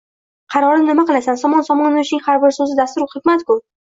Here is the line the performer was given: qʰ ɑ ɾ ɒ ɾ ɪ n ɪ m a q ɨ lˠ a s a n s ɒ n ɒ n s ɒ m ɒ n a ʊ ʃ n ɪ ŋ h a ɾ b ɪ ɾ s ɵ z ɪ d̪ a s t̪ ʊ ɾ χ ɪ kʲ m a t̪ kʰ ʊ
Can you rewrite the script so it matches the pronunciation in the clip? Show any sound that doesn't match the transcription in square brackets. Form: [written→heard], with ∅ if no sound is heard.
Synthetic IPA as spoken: qʰ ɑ ɾ ɒ ɾ ɪ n ɪ m a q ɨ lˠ a s a n s ɒ [n→m] ɒ n s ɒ m ɒ n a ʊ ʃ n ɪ ŋ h a ɾ b ɪ ɾ s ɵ z ɪ d̪ a s t̪ ʊ ɾ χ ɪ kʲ m a t̪ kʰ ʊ